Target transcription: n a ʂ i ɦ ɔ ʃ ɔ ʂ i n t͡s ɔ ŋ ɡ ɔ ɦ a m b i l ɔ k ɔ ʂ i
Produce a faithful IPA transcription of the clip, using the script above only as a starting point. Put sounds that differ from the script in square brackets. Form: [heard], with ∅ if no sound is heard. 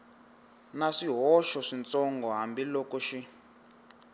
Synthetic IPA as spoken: n a ʂ i ɦ ɔ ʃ ɔ ʂ i n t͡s ɔ ŋ ɡ ɔ ɦ a m b i l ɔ k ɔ [ʃ] i